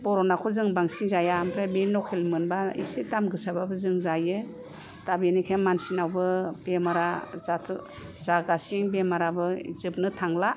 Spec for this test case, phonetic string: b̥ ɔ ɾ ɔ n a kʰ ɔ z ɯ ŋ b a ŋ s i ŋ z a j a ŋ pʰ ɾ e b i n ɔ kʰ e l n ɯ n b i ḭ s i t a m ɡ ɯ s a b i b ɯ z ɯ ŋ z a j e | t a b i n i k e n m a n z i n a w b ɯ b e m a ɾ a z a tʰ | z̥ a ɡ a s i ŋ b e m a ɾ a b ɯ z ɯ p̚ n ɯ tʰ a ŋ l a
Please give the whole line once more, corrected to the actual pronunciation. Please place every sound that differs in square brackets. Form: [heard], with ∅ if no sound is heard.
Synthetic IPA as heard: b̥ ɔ ɾ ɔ n a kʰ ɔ z ɯ ŋ b a ŋ s i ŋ z a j a [m] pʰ ɾ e b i n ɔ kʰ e l [m] ɯ n b [a] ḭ s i t a m ɡ ɯ s a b [a] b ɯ z ɯ ŋ z a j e | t a b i n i [kʰ] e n m a n [s] i n a w b ɯ b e m a ɾ a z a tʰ | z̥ a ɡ a s i ŋ b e m a ɾ a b ɯ z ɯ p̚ n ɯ tʰ a ŋ l a